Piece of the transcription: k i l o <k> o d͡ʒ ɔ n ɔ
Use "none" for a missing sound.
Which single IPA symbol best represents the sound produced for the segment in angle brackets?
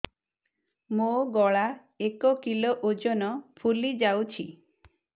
ʔ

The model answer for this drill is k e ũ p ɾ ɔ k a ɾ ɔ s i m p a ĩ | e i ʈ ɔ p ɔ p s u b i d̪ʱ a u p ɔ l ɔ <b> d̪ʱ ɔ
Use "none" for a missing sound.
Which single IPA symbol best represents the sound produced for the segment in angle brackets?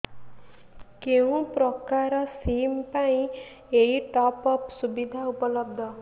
b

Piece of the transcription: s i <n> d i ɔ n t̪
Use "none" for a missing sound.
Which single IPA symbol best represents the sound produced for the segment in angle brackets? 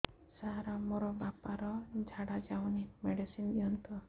n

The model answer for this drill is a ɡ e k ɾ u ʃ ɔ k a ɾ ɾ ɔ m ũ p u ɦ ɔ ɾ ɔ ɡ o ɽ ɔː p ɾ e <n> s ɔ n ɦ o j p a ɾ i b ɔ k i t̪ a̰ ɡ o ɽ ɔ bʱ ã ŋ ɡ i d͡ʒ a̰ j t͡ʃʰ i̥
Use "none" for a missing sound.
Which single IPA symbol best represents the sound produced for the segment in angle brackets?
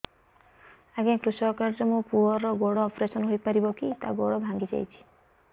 none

